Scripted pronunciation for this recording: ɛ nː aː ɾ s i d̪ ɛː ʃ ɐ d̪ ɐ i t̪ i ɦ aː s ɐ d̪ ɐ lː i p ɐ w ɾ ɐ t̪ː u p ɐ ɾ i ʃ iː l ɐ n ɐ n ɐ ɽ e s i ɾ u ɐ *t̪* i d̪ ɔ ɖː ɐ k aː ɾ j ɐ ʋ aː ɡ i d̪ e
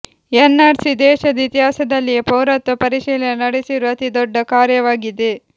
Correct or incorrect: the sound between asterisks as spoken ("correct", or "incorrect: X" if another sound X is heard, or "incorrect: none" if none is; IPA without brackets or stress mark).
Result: correct